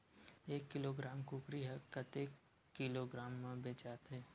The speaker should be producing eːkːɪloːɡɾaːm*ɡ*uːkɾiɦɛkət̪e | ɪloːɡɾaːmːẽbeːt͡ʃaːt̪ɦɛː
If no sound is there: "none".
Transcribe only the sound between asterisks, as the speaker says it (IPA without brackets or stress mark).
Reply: k